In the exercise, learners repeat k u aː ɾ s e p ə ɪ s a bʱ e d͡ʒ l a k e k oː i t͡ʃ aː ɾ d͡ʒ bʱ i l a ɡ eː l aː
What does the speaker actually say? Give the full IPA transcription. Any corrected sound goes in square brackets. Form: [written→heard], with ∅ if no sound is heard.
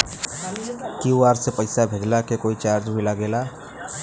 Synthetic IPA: k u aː ɾ s e p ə ɪ s a bʱ e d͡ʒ l a k e k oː i t͡ʃ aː ɾ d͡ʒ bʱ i l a ɡ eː l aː